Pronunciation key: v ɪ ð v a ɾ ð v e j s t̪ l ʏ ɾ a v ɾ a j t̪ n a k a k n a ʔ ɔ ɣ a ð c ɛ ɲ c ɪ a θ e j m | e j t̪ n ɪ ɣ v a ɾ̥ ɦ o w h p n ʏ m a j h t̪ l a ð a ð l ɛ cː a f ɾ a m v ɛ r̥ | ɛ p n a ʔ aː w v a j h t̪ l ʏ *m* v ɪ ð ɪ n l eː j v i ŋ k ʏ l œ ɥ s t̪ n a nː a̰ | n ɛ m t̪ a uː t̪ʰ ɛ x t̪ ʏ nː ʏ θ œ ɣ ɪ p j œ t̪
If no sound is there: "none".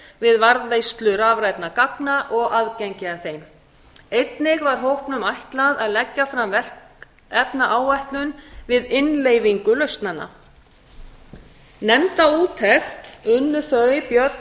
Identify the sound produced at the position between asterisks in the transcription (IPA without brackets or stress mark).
n